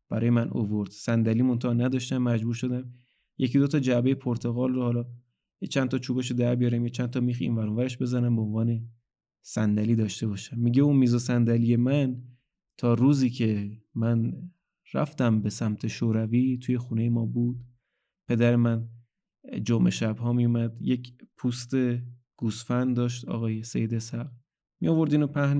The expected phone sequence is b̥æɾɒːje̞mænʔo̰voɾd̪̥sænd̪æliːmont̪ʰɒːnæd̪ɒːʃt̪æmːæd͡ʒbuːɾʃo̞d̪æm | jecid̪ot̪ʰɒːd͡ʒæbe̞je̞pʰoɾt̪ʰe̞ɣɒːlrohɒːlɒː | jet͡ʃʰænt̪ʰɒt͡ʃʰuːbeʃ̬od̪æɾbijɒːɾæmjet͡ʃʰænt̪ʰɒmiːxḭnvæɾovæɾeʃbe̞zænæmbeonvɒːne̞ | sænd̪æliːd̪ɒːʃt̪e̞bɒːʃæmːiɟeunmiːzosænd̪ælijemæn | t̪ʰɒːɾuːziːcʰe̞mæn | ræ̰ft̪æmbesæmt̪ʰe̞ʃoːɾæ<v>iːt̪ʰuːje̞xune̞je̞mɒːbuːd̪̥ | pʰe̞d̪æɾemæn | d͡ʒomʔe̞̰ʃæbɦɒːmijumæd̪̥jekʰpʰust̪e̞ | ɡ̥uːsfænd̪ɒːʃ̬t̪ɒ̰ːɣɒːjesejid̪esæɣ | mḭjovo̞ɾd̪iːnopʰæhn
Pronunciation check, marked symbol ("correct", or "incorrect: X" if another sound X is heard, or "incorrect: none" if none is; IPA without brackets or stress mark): correct